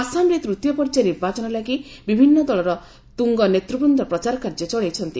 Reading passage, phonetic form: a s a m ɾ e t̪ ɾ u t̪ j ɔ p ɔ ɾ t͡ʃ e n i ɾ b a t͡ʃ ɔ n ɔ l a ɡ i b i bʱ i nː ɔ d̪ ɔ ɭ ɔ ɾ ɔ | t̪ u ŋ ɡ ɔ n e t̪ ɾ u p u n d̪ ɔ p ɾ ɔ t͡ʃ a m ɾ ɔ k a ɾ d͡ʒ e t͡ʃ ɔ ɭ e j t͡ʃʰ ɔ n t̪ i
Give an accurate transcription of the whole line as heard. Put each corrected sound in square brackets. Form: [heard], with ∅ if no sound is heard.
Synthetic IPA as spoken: a s a m ɾ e t̪ ɾ u t̪ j ɔ p ɔ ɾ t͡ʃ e n i ɾ b a t͡ʃ ɔ n ɔ l a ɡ i b i bʱ i nː ɔ d̪ ɔ ɭ ɔ ɾ ɔ | t̪ u ŋ ɡ ɔ n e t̪ ɾ u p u n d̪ ɔ p ɾ ɔ t͡ʃ a [∅] ɾ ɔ k a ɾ d͡ʒ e t͡ʃ ɔ ɭ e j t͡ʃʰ ɔ n t̪ i